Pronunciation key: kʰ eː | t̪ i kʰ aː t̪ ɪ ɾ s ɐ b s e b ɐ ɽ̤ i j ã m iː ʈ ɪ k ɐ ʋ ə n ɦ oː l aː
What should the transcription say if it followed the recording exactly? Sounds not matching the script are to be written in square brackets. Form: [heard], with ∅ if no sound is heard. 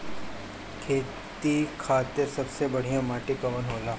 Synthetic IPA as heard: kʰ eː | t̪ i kʰ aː t̪ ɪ ɾ s ɐ b s e b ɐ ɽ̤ i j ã m [aː] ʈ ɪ k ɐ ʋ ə n ɦ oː l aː